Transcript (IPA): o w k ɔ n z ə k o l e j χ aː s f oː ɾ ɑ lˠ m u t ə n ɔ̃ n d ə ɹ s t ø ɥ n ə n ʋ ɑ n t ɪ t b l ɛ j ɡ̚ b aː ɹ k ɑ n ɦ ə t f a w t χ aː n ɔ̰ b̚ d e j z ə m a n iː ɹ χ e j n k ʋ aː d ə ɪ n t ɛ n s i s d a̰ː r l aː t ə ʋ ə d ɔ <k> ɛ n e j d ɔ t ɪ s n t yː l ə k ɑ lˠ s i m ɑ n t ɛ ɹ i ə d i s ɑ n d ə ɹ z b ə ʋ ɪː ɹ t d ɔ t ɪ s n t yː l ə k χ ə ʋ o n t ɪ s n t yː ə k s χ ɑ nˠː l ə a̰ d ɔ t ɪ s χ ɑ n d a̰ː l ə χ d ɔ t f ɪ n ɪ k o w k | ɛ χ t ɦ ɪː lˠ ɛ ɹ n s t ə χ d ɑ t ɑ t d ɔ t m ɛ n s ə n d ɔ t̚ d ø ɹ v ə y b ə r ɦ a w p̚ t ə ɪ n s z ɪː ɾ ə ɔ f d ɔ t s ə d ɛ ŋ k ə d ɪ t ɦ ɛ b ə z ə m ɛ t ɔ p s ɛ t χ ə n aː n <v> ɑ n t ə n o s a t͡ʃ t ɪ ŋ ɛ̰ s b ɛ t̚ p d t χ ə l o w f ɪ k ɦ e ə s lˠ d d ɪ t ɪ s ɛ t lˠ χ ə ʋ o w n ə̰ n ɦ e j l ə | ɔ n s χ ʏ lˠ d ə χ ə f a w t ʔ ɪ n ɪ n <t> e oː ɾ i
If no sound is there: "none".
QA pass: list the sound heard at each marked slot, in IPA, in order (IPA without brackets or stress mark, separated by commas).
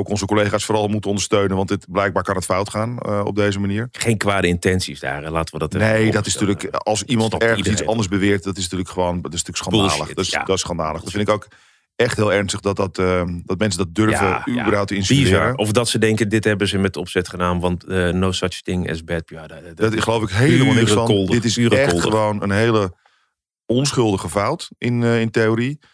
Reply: t, ʋ, t